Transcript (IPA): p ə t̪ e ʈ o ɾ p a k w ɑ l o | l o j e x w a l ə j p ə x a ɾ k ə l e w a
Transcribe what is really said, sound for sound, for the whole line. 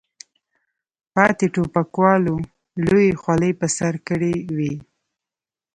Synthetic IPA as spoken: p ɑ t̪ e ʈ o p a k w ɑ l o | l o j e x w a l ə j p ə s a ɾ k ə ɽ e w i